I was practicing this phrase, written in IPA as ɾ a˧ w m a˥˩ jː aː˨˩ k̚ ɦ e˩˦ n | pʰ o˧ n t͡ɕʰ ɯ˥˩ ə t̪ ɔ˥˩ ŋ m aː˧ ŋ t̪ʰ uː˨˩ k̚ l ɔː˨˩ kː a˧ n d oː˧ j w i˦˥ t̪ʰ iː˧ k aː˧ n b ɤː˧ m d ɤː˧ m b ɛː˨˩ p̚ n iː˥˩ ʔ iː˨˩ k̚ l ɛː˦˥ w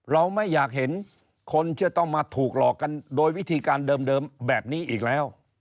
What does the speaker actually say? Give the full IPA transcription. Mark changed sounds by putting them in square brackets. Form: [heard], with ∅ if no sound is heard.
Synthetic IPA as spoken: ɾ a˧ w m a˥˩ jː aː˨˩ k̚ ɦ e˩˦ n | [kʰ] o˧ n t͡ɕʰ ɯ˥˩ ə t̪ ɔ˥˩ ŋ m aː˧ [∅] t̪ʰ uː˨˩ k̚ l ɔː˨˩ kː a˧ n d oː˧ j w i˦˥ t̪ʰ iː˧ k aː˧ n [d] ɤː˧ m d ɤː˧ m b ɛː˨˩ p̚ n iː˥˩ ʔ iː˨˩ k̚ l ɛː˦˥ w